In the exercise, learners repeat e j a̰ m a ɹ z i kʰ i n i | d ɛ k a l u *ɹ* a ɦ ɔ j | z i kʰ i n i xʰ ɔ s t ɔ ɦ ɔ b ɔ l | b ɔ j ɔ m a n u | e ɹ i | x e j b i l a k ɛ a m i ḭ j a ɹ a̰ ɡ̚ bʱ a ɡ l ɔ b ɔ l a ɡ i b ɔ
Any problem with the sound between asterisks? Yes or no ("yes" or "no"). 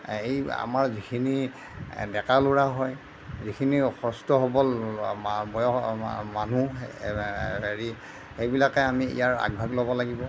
no